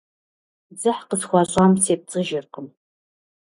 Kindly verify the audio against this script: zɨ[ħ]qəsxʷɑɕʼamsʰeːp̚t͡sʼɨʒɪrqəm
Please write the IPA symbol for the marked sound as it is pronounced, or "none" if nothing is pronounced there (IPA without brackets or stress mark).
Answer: ħ